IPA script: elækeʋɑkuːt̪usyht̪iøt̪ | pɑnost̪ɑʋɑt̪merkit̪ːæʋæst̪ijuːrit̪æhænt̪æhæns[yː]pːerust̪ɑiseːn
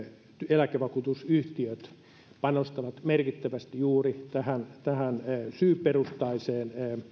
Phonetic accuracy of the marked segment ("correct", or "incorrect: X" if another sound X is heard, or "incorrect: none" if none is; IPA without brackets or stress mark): correct